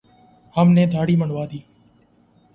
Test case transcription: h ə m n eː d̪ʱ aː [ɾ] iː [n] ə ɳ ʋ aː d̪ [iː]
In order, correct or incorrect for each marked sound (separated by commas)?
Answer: incorrect, incorrect, correct